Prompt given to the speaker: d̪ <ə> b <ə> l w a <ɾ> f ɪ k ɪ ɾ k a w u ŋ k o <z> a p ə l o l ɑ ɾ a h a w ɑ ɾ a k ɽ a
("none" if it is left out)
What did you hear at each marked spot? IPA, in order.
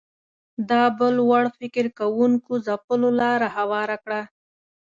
ɑ, ə, ɽ, z

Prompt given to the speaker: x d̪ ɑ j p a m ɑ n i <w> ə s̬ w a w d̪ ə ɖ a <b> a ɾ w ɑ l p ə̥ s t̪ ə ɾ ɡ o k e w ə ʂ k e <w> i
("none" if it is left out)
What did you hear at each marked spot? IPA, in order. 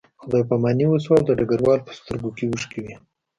w, ɡ, w

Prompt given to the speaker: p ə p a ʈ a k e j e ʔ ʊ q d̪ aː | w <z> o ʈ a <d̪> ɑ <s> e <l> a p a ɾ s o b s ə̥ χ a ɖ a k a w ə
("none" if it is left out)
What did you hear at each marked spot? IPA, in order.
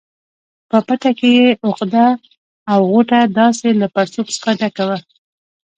ɣ, d̪, s, l

